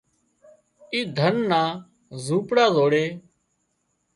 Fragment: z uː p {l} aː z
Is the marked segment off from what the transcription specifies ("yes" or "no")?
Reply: yes